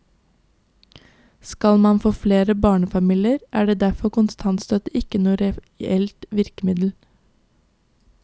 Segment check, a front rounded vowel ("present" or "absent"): present